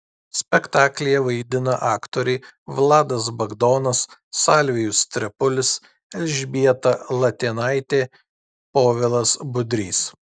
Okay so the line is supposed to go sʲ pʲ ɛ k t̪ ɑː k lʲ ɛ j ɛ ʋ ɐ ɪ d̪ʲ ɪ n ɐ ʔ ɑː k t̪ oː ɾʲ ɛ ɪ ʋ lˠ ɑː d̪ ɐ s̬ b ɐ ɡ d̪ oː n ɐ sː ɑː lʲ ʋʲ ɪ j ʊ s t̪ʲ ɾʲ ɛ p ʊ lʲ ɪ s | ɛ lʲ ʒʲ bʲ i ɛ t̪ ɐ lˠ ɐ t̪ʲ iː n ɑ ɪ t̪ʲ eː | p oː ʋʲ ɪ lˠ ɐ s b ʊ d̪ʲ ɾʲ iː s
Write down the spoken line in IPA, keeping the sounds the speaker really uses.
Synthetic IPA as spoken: sʲ pʲ ɛ k t̪ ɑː k lʲ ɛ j ɛ ʋ ɐ ɪ d̪ʲ ɪ n ɐ ʔ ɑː k t̪ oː ɾʲ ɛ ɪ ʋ lˠ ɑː d̪ ɐ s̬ b ɐ ɡ d̪ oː n ɐ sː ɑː lʲ ʋʲ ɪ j ʊ s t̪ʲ ɾʲ ɛ p ʊ lʲ ɪ s | ɛ lʲ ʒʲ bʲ i ɛ t̪ ɐ lˠ ɐ t̪ʲ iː n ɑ ɪ t̪ʲ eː | p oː ʋʲ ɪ lˠ ɐ s b ʊ d̪ʲ ɾʲ iː s